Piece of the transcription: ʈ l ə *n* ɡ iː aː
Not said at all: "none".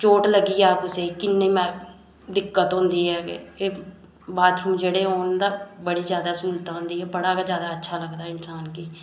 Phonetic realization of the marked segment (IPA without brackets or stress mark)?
none